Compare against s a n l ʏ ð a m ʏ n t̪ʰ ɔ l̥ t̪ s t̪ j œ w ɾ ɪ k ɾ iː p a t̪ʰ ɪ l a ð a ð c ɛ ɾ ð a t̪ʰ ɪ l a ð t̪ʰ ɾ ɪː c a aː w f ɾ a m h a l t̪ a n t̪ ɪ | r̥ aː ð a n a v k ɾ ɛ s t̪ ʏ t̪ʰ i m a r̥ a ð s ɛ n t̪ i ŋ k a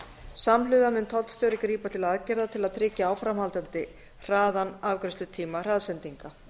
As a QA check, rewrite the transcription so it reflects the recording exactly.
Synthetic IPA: s a m l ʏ ð a m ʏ n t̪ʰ ɔ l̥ t̪ s t̪ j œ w ɾ ɪ k ɾ iː p a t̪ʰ ɪ l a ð a ð c ɛ ɾ ð a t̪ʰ ɪ l a ð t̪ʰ ɾ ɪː c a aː w f ɾ a m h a l t̪ a n t̪ ɪ | r̥ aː ð a n a v k ɾ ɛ s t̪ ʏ t̪ʰ iː m a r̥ a ð s ɛ n t̪ i ŋ k a